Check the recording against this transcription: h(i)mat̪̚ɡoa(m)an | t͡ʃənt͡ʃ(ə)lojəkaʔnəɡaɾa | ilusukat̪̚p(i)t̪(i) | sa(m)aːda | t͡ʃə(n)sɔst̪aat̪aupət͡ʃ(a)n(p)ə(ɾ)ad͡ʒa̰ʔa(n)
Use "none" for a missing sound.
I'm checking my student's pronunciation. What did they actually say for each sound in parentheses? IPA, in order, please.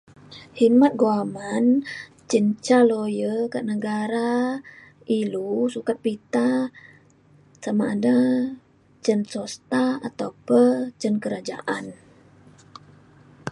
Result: i, m, a, i, a, m, n, ə, k, ɾ, n

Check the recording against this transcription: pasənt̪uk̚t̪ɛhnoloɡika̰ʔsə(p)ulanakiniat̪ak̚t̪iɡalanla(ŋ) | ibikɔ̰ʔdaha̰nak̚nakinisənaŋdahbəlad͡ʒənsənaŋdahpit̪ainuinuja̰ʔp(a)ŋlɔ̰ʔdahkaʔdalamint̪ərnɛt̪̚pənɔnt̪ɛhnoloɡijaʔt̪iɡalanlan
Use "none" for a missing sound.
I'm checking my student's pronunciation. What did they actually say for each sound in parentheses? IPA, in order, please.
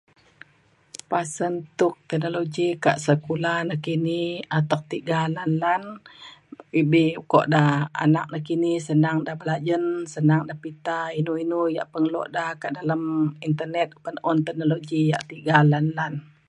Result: k, n, ə

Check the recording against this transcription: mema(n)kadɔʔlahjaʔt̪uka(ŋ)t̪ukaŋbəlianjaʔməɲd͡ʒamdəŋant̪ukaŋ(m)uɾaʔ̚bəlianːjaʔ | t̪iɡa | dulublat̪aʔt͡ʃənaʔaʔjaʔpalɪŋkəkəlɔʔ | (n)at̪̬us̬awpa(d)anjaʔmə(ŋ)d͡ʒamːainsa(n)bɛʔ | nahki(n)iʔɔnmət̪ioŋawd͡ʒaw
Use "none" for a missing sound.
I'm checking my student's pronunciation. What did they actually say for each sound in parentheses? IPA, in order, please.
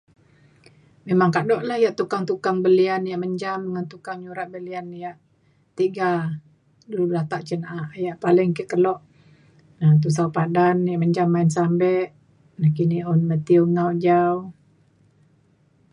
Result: ŋ, ŋ, ɲ, n, d, ɲ, m, n

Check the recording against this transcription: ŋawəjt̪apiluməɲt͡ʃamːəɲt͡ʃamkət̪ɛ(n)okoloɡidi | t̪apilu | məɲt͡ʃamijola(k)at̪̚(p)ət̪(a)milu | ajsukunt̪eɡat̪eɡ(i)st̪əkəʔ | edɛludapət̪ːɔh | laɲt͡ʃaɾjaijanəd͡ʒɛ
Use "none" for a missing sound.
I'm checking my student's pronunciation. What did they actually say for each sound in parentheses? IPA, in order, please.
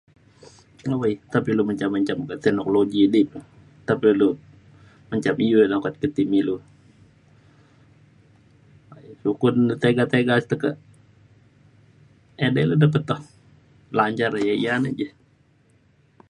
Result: n, k, k, i, a

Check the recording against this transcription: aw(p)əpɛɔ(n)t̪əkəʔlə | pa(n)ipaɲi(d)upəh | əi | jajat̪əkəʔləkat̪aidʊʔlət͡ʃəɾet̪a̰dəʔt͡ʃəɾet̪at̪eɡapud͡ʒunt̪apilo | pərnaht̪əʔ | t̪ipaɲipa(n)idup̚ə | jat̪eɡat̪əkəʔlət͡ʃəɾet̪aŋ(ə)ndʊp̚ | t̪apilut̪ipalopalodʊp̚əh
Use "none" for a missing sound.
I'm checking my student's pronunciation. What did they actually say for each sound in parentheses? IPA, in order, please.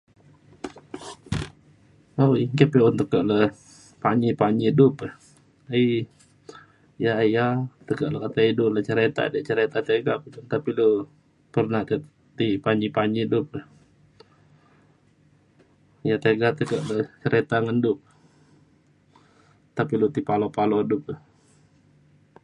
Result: k, n, ɲ, d, ɲ, ə

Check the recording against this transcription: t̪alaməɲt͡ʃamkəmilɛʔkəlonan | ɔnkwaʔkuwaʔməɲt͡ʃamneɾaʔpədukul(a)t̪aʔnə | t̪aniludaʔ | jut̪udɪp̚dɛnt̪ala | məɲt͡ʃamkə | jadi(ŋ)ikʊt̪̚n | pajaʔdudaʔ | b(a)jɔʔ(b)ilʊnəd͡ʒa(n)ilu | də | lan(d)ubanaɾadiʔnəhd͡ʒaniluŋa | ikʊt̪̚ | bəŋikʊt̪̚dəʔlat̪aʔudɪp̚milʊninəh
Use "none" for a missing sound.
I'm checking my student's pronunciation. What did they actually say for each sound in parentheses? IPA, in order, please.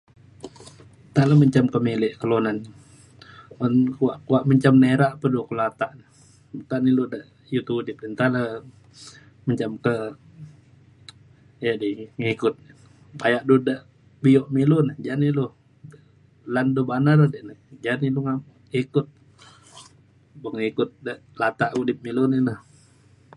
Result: a, ŋ, i, m, n, d

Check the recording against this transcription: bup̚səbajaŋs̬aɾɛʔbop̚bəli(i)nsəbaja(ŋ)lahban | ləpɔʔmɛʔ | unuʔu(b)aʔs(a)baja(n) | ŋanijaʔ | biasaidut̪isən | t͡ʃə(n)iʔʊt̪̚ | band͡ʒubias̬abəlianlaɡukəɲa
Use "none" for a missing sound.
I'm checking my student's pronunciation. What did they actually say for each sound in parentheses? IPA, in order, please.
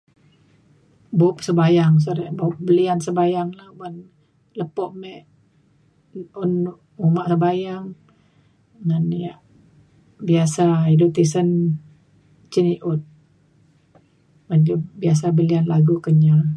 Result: a, ŋ, m, ə, ŋ, n

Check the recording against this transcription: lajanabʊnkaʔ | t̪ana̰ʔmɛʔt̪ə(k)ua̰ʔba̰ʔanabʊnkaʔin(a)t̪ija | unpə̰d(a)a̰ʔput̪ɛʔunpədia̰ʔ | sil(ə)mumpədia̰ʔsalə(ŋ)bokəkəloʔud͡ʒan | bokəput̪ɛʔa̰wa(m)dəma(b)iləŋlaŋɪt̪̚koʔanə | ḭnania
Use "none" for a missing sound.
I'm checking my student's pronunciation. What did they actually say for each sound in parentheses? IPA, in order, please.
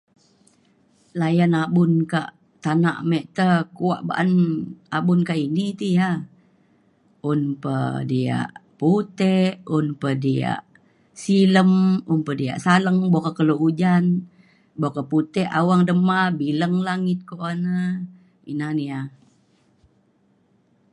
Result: k, i, i, ə, ŋ, ŋ, b

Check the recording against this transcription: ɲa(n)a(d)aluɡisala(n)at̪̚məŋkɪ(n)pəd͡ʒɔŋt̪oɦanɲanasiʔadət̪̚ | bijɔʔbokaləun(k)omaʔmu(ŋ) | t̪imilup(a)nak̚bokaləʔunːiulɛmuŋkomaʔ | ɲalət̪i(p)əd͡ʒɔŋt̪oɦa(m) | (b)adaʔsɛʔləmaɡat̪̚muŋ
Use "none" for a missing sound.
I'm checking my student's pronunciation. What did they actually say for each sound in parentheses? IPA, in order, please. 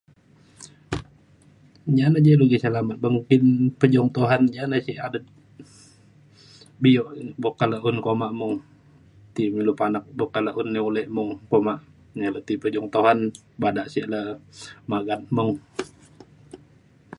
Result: n, d͡ʒ, m, n, k, ŋ, a, p, n, b

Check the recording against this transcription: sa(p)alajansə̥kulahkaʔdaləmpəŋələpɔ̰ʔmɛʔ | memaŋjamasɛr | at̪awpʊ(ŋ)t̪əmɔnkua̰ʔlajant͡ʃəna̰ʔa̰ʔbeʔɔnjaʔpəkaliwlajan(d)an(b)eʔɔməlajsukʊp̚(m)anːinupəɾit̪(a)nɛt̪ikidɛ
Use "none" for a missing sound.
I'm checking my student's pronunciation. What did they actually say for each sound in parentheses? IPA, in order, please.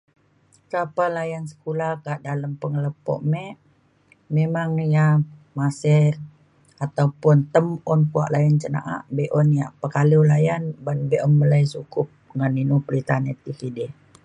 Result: p, n, b, b, ŋ, a

